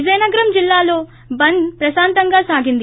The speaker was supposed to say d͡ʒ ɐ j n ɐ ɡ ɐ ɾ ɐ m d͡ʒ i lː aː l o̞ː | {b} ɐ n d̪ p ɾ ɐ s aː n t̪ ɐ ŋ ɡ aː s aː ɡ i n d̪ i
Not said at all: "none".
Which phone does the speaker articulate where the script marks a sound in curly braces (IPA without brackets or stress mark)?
b